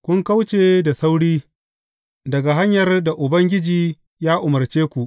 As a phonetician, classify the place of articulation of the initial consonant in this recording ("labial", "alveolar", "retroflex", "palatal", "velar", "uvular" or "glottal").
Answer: velar